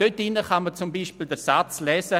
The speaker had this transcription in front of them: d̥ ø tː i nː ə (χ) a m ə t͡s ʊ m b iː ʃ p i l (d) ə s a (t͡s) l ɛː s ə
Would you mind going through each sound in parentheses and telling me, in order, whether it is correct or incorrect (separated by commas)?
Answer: correct, correct, correct